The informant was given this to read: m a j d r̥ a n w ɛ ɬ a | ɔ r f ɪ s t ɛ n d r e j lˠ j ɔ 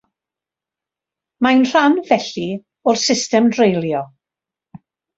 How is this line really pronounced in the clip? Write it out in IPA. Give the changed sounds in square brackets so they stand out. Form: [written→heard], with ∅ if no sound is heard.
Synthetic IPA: m a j [d→n] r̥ a n [w→v] ɛ ɬ [a→i] | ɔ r [f→s] ɪ s t ɛ [n→m] d r e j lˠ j ɔ